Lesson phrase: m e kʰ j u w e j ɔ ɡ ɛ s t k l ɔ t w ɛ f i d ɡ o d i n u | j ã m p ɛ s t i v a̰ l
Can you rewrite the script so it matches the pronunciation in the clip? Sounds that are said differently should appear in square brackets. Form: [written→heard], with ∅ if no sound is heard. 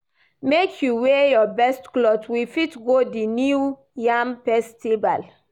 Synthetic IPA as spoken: m e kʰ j u w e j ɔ [ɡ→b] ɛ s t k l ɔ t w [ɛ→i] f i [d→t] ɡ o d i n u | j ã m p ɛ s t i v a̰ l